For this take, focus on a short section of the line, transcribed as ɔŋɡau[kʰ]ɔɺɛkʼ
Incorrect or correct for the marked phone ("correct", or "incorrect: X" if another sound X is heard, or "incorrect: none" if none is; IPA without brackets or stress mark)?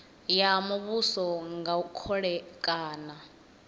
correct